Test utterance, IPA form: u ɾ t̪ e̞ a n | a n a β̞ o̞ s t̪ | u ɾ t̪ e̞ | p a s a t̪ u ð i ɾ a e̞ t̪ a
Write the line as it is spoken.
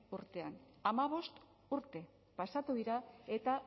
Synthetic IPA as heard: u ɾ t̪ e̞ a n | a m a β̞ o̞ s t̪ | u ɾ t̪ e̞ | p a s a t̪ u ð i ɾ a e̞ t̪ a